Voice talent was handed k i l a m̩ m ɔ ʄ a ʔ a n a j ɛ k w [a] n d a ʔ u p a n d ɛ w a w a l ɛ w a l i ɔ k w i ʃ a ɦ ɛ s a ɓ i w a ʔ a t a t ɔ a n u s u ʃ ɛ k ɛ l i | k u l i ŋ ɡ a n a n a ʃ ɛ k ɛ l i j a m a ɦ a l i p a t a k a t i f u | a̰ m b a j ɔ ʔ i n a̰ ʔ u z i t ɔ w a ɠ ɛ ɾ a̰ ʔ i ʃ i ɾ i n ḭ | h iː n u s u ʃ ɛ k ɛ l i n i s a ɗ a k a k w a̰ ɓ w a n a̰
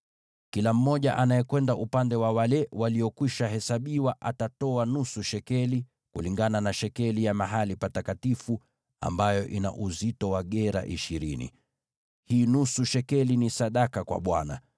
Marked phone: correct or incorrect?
incorrect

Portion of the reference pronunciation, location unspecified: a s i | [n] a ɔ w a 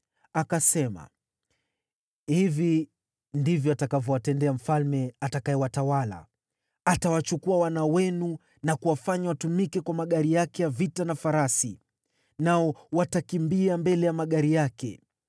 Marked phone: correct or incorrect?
correct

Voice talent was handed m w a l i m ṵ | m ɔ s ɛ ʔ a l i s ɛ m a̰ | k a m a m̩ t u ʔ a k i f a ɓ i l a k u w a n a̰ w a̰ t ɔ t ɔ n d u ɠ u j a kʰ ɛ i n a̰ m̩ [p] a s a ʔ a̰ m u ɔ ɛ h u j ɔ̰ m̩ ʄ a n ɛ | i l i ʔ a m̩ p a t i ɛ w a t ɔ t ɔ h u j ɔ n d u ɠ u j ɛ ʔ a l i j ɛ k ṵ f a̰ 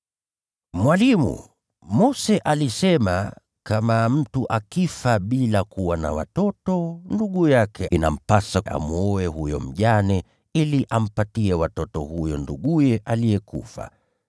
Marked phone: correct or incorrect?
correct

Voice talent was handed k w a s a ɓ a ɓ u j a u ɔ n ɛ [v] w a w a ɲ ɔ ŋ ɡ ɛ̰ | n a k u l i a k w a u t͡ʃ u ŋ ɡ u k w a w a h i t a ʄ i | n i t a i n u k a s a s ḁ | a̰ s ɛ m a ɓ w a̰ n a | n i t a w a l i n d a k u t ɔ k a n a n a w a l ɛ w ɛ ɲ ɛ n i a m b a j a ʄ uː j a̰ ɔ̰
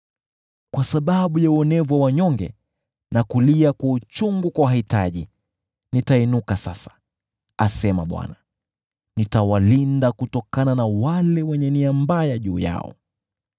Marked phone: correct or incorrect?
correct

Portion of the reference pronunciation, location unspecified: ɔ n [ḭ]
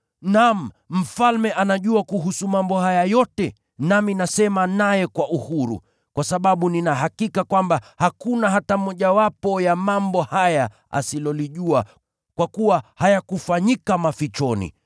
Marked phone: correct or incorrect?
correct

